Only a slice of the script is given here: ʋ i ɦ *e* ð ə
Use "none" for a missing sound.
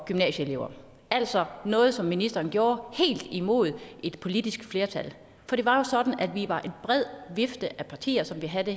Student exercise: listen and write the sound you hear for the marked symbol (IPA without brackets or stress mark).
æ